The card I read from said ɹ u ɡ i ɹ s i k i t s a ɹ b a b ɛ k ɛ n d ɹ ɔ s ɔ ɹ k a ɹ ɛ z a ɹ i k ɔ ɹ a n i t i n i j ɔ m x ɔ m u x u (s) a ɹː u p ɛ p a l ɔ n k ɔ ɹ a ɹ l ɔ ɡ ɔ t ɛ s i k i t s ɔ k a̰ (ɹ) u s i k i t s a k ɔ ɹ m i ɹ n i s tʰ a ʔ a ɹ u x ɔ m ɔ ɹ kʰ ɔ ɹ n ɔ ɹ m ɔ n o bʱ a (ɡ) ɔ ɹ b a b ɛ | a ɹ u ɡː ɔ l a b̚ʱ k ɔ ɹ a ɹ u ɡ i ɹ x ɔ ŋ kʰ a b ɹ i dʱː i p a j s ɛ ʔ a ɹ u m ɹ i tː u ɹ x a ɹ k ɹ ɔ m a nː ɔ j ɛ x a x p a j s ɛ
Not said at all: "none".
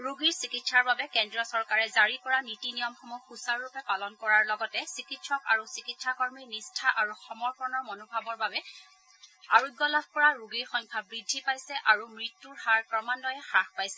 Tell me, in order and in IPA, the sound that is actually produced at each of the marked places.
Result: s, ɹ, b

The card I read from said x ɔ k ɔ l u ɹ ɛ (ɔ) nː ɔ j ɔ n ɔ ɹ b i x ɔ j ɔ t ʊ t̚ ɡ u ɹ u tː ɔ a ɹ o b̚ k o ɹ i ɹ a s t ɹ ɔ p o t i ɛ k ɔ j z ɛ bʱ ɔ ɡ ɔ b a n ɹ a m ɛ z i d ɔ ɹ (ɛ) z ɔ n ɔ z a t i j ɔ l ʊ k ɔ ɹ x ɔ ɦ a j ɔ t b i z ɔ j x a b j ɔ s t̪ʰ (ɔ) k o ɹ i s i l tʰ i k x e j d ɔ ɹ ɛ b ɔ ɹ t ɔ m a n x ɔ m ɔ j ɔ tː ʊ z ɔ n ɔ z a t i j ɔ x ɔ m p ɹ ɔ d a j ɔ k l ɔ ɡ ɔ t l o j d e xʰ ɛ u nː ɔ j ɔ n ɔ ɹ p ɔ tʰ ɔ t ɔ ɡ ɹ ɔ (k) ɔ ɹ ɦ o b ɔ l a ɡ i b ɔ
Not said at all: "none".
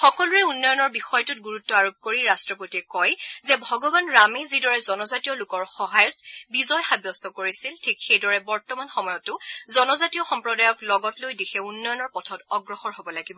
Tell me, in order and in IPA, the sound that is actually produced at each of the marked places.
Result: u, ɛ, ɔ, x

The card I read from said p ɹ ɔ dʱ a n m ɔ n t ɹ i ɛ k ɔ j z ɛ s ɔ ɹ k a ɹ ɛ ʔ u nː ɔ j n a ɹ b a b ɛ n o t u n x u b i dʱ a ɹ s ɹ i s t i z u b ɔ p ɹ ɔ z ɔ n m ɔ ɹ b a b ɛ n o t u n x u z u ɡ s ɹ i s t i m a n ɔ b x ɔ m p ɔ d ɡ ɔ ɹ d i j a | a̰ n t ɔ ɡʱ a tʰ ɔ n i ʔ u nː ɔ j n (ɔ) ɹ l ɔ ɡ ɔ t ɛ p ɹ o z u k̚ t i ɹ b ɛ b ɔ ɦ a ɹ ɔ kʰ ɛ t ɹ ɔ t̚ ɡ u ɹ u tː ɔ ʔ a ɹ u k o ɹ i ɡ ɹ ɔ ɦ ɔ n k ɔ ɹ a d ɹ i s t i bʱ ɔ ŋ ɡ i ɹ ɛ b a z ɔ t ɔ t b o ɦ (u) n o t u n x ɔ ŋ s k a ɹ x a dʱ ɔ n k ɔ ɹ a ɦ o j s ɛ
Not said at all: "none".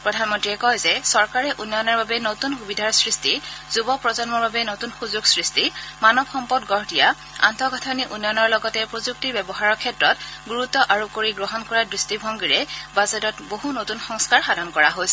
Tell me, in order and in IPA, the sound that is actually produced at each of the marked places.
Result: ɔ, u

